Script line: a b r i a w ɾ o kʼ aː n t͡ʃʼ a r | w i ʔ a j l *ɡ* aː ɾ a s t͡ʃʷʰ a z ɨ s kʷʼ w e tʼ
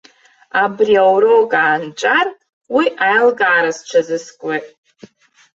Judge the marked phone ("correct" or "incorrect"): correct